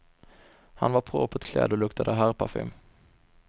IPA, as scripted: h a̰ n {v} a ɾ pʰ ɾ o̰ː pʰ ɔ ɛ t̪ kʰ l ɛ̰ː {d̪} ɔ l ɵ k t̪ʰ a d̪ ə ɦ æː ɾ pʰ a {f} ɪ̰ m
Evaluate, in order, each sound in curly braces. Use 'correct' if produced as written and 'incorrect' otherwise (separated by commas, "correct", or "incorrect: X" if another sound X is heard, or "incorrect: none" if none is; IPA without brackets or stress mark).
correct, correct, correct